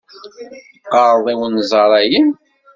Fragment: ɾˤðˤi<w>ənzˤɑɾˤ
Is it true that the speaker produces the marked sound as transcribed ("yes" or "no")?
yes